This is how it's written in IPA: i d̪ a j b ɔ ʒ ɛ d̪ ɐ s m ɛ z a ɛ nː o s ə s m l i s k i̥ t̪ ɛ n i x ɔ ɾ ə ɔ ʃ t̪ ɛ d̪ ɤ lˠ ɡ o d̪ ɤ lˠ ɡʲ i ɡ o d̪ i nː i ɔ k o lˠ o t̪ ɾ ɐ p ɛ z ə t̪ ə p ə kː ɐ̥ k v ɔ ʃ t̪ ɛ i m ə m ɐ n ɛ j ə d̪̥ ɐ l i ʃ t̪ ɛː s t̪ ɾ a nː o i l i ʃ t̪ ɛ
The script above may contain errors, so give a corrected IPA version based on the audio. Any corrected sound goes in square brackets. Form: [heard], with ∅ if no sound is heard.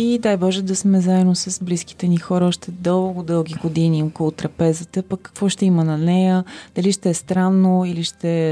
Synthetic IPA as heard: i d̪ a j b ɔ ʒ ɛ d̪ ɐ s m ɛ z a ɛ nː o s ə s [b] l i s k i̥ t̪ ɛ n i x ɔ ɾ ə ɔ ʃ t̪ ɛ d̪ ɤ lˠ ɡ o d̪ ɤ lˠ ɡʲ i ɡ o d̪ i [n] i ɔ k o lˠ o t̪ ɾ ɐ p ɛ z ə t̪ ə p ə kː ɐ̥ k v ɔ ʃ t̪ ɛ i m ə [n] ɐ n ɛ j ə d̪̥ ɐ l i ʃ t̪ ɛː s t̪ ɾ a nː o i l i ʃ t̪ ɛ